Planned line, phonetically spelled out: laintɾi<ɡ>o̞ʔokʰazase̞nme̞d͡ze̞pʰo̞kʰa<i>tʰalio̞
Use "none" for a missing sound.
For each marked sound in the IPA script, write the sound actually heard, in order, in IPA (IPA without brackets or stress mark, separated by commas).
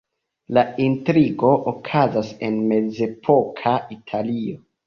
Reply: ɡ, i